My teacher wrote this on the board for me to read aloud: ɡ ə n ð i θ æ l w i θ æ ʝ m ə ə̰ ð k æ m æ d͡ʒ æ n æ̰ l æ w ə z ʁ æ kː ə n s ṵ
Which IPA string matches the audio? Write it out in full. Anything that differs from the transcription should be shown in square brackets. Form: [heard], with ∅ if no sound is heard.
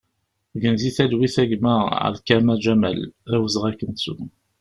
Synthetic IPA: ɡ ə n [z] i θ æ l w i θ æ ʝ m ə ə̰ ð k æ m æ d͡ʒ æ [m] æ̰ l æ w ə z ʁ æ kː ə n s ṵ

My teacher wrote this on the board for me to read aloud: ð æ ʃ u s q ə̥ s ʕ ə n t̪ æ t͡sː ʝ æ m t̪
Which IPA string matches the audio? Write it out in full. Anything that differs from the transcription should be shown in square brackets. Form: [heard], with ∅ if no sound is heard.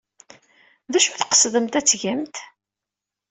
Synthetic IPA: ð æ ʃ u [θ] q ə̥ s [ð] ə [m] t̪ æ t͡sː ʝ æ m t̪

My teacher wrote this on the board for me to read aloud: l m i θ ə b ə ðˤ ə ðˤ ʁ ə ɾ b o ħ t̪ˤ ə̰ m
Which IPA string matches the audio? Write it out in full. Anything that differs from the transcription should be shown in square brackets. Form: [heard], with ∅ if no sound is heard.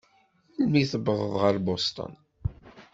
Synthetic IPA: l m i θ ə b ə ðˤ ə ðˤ ʁ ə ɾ b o [s] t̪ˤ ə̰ [n]

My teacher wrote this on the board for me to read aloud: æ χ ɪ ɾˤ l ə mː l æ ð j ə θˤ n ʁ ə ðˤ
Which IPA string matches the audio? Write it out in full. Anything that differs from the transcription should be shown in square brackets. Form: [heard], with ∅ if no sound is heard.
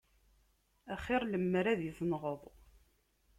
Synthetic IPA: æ χ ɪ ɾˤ l ə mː [ɾ] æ ð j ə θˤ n ʁ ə ðˤ

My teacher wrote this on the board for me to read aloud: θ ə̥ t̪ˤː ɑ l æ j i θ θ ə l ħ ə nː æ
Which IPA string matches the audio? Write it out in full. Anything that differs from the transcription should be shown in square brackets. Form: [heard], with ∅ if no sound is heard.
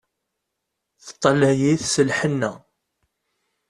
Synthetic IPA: θ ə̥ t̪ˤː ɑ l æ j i θ [s] ə l ħ ə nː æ

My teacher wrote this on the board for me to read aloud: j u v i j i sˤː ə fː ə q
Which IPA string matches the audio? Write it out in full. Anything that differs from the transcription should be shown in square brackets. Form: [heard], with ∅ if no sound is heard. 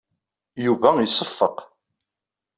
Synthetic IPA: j u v [æ] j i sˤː ə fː ə q

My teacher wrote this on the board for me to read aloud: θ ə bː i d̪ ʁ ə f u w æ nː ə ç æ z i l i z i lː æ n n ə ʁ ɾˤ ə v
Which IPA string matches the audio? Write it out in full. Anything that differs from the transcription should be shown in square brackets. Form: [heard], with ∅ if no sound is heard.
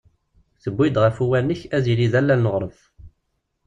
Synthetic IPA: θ ə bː i d̪ ʁ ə f u w æ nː ə ç æ z i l i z [æ] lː æ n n ə ʁ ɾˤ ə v

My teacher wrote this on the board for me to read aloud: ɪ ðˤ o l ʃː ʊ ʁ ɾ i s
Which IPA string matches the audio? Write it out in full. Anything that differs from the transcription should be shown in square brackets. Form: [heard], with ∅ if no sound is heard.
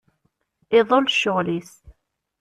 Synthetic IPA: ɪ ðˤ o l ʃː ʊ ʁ [l] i s

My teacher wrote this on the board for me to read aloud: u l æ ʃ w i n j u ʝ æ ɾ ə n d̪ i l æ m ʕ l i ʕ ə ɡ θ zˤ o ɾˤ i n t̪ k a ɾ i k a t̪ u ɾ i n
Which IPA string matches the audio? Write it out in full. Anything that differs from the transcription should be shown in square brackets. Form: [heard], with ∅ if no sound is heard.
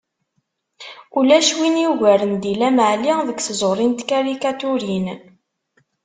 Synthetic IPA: u l æ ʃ w i n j u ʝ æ ɾ ə n d̪ i l æ m ʕ l i [ð] ə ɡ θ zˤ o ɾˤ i n t̪ k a ɾ i k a t̪ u ɾ i n

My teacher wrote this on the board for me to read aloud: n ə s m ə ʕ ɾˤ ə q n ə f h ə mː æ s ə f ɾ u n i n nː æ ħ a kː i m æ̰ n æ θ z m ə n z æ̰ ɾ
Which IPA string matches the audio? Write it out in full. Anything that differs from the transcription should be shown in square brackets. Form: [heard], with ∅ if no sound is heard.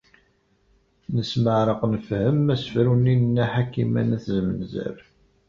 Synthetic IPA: n ə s m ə ʕ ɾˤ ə q n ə f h ə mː æ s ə f ɾ u n i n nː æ ħ a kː i m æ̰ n æ θ z m ə n z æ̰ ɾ

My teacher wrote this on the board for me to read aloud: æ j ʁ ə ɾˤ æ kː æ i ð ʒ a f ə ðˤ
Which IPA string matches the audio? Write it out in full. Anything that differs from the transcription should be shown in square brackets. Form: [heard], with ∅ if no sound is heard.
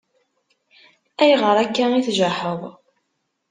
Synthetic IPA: æ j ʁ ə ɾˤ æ kː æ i [θ] ʒ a [ħ] ə ðˤ

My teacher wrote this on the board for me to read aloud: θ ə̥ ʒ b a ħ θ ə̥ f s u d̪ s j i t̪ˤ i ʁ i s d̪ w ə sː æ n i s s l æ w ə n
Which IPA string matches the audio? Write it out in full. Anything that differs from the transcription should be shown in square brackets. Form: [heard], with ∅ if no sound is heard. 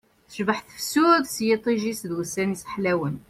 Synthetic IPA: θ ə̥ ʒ b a ħ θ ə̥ f s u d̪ s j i t̪ˤ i [ʒ] i s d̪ w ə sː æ n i s [ħ] l æ w ə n

